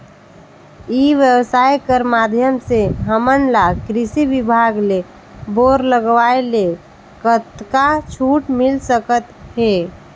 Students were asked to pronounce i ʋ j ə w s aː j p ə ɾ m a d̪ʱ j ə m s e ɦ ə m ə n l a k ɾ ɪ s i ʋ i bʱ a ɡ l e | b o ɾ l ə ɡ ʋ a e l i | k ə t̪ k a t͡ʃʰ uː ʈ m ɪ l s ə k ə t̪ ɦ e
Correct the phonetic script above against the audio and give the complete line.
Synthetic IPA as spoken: i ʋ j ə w s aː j k ə ɾ m a d̪ʱ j ə m s e ɦ ə m ə n l a k ɾ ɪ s i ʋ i bʱ a ɡ l e | b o ɾ l ə ɡ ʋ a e l e | k ə t̪ k a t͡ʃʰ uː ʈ m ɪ l s ə k ə t̪ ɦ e